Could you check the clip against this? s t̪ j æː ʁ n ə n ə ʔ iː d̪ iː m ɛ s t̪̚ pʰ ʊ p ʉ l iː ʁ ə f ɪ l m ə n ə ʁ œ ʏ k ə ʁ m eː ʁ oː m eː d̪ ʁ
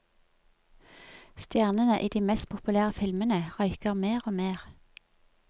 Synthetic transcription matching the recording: s t̪ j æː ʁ n ə n ə ʔ iː d̪ iː m ɛ s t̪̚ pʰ ʊ p ʉ l æː ʁ ə f ɪ l m ə n ə ʁ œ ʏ k ə ʁ m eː ʁ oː m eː ʁ